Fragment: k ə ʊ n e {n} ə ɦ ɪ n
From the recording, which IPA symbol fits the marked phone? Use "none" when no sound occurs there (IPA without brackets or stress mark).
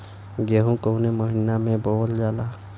m